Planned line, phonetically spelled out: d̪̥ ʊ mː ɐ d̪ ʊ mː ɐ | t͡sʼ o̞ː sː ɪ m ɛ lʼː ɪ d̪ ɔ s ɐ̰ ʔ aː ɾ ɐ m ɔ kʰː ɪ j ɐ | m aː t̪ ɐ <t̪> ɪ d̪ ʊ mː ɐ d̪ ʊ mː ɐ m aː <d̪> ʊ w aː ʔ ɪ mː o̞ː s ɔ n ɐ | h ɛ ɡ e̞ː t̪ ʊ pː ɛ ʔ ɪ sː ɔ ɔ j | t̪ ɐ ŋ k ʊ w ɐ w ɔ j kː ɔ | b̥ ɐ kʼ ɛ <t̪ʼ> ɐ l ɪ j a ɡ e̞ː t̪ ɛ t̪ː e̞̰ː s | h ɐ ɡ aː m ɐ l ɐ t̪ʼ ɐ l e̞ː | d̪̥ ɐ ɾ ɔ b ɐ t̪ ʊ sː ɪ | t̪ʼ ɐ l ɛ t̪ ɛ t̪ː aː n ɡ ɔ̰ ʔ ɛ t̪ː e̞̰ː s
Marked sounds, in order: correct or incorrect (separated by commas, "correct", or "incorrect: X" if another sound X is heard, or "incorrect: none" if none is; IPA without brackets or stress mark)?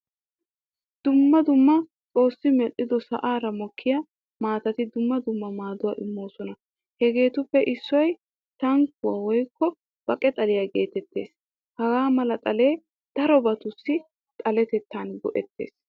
correct, correct, correct